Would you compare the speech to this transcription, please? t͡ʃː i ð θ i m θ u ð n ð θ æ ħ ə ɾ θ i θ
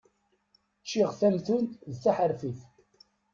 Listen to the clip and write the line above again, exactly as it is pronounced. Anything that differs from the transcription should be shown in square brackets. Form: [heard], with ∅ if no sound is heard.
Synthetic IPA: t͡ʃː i [ʁ] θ [æ] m θ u [∅] n ð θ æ ħ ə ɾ [f] i θ